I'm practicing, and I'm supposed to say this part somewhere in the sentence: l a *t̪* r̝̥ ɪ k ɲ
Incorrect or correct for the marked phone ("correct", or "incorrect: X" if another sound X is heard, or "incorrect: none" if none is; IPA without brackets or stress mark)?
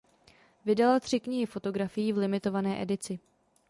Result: correct